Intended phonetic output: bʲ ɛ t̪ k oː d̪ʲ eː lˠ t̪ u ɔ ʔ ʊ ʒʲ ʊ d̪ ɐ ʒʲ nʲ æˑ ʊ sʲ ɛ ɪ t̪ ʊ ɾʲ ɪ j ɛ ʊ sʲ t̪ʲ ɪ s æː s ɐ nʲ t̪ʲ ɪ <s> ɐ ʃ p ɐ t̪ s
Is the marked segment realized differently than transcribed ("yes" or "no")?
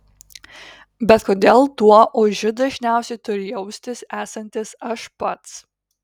no